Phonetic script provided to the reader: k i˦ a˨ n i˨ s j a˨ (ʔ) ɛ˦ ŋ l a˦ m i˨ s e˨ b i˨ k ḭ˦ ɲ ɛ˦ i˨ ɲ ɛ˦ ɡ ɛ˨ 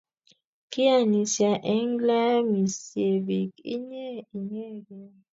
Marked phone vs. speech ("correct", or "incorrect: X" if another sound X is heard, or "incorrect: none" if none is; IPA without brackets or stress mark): correct